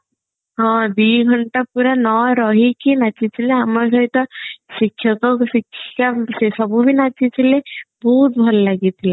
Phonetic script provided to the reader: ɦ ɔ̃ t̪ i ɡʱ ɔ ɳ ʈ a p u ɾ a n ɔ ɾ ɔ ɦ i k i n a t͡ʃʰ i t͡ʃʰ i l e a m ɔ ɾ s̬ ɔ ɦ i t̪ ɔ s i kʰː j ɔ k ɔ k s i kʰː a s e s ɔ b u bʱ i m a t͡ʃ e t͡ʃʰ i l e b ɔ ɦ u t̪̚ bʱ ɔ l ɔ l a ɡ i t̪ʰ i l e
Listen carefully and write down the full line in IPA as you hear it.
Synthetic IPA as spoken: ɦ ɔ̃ d̪ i ɡʱ ɔ ɳ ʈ a p u ɾ a n ɔ ɾ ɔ ɦ i k i n a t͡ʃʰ i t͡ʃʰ i l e a m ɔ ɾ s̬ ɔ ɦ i t̪ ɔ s i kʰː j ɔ k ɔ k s i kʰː a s e s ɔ b u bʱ i n a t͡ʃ i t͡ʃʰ i l e b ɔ ɦ u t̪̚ bʱ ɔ l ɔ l a ɡ i t̪ʰ i l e